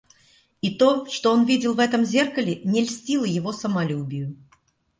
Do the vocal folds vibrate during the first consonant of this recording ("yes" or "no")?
no